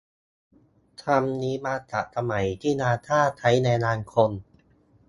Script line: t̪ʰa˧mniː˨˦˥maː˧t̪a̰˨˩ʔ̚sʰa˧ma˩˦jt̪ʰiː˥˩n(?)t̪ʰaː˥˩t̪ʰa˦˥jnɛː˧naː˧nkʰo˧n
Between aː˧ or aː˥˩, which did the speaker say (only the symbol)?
aː˧